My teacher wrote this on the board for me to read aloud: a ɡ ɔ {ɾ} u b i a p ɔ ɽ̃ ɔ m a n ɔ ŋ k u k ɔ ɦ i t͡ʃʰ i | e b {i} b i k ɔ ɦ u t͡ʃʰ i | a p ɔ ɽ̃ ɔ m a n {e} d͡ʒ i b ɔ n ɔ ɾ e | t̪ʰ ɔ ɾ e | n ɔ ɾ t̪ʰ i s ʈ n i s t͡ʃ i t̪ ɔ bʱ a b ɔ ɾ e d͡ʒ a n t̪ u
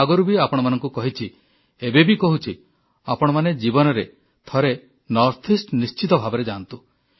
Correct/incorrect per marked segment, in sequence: correct, incorrect: e, correct

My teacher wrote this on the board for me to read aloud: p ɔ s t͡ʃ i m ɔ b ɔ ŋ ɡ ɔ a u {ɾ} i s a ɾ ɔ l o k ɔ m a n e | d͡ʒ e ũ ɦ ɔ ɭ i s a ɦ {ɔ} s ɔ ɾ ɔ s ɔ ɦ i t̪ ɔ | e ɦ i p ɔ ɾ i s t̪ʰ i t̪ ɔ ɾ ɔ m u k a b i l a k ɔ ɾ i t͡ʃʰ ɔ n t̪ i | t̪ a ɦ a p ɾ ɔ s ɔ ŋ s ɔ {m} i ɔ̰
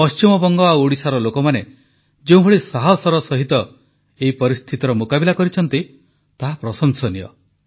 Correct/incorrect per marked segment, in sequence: incorrect: ɽ, correct, incorrect: n

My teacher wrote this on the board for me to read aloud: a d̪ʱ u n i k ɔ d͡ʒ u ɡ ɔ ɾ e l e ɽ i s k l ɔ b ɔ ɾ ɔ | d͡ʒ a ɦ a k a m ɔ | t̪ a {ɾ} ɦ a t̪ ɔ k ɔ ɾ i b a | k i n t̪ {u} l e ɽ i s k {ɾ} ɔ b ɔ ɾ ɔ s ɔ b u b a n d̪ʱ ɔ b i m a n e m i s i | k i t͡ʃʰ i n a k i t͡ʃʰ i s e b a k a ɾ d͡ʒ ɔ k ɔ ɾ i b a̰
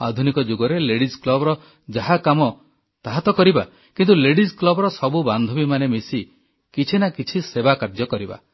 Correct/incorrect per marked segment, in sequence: incorrect: none, correct, incorrect: l

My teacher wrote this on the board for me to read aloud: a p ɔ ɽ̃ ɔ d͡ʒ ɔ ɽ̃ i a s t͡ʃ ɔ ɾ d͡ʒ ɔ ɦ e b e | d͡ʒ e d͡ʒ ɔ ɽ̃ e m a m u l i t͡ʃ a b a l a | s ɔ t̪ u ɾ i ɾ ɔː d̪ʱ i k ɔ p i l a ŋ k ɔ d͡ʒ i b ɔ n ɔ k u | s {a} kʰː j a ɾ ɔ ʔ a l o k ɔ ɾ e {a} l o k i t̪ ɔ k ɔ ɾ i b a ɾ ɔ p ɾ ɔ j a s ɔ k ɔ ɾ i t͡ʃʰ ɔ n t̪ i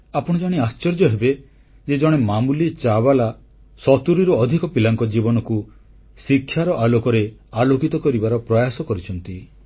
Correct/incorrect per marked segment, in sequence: incorrect: i, correct

